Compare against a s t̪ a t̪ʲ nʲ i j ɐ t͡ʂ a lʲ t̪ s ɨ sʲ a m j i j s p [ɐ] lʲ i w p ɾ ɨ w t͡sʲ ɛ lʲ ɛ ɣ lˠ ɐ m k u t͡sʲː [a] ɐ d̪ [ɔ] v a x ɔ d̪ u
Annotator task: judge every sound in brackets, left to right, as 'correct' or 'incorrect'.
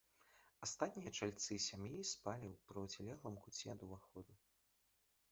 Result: incorrect: a, incorrect: ɛ, incorrect: u

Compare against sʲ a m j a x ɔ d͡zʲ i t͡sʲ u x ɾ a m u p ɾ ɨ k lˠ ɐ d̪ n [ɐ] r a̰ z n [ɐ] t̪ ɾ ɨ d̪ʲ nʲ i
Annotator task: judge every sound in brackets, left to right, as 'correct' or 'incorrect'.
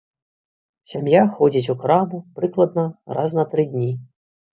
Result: correct, correct

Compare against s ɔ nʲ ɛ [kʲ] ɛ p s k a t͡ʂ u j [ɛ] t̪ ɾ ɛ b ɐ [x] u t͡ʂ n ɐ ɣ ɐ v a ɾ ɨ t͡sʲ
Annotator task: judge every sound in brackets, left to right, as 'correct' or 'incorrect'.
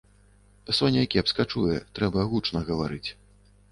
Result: correct, correct, incorrect: ɣ

